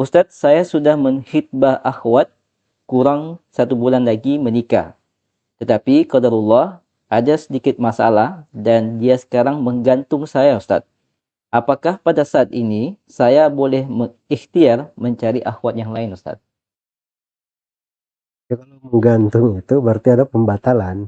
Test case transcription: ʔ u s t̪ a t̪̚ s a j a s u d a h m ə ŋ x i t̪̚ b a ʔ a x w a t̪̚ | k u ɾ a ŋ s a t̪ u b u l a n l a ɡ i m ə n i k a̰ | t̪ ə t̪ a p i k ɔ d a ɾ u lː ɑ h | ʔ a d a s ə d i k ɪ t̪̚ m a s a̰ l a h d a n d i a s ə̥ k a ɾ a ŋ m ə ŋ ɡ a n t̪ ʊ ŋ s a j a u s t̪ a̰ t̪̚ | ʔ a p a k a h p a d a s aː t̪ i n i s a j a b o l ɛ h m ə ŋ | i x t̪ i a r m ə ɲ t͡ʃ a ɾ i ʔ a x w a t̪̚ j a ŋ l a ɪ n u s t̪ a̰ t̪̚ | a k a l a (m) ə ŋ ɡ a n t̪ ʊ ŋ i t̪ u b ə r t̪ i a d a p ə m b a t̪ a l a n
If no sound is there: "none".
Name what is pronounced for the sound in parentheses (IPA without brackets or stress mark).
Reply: m